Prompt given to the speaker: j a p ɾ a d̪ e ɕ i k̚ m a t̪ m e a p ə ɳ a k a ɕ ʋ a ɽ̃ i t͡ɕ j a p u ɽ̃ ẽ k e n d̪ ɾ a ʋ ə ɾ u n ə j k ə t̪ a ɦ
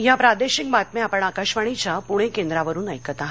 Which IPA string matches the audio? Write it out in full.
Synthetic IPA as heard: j a p ɾ a d̪ e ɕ i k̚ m a t̪ m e a p ə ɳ a k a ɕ ʋ a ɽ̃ i t͡ɕ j a p u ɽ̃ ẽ k e n d̪ ɾ a ʋ ə ɾ uː n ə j k ə t̪ a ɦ